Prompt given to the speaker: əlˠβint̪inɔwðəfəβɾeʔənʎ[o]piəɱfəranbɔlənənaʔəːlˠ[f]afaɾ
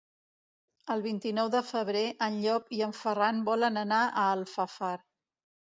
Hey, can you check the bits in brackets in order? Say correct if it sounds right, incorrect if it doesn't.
incorrect, correct

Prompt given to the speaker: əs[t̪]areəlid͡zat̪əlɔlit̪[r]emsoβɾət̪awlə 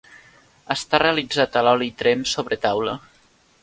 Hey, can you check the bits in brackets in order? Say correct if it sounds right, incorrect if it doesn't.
correct, incorrect

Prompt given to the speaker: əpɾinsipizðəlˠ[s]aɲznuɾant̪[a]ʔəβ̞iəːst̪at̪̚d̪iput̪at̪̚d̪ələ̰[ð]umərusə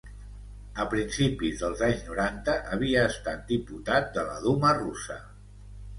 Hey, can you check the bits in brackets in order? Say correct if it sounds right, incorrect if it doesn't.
incorrect, incorrect, correct

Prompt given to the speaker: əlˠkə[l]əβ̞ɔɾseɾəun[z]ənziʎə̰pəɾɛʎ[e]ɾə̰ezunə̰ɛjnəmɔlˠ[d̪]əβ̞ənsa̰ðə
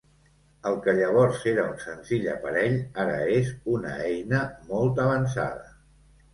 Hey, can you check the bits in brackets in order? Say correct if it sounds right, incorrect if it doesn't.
incorrect, incorrect, incorrect, incorrect

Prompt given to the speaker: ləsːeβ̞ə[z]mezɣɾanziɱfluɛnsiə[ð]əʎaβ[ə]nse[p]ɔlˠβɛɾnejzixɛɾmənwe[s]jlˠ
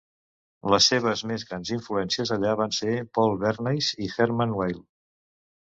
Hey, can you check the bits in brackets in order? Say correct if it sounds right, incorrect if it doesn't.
correct, incorrect, incorrect, correct, incorrect

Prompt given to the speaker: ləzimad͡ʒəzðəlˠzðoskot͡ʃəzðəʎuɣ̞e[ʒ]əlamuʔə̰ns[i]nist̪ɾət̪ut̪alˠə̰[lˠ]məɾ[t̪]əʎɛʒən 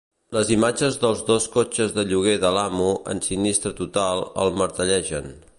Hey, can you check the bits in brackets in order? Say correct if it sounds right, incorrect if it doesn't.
incorrect, correct, correct, correct

